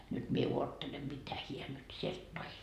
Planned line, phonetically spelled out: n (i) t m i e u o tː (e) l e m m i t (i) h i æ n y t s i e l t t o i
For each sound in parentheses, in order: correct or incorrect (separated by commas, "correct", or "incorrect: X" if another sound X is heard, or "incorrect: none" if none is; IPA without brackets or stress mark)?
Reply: incorrect: y, correct, incorrect: æ